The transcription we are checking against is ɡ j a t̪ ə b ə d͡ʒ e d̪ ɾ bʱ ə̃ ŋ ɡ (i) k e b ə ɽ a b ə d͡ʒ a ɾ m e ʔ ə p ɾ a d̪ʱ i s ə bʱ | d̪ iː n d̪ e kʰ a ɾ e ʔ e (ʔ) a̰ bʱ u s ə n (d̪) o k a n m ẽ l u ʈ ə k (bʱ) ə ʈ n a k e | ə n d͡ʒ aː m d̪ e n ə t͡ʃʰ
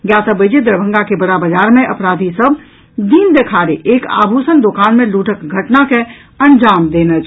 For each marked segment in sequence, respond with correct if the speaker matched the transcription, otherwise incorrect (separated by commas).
incorrect, incorrect, correct, incorrect